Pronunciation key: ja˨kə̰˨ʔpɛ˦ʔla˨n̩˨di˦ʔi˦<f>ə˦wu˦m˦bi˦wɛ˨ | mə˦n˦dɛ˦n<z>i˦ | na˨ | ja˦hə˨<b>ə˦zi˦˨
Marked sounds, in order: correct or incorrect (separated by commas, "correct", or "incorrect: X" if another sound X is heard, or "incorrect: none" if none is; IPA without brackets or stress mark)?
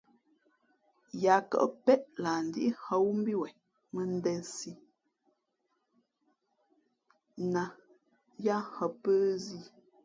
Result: incorrect: h, incorrect: s, incorrect: p